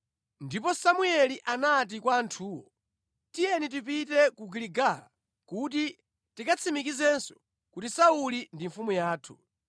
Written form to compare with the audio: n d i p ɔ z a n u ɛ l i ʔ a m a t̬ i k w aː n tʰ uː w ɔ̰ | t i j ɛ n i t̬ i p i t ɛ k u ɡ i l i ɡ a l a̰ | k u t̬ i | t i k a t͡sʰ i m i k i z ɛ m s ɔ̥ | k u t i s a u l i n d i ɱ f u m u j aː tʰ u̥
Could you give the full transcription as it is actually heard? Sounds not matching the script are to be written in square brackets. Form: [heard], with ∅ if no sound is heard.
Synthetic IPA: n d i p ɔ [s] a [m] u ɛ l i ʔ a [n] a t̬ i k w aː n tʰ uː w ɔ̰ | t i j ɛ n i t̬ i p i t ɛ k u ɡ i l i ɡ a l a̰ | k u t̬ i | t i k a t͡sʰ i m i k i z ɛ [n] s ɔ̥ | k u t i s a u l i n d i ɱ f u m u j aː tʰ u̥